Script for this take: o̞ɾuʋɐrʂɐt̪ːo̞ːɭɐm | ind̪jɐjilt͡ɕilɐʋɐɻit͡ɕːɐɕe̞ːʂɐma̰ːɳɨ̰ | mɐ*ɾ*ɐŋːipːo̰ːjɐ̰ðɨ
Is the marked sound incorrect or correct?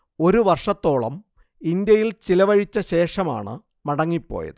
incorrect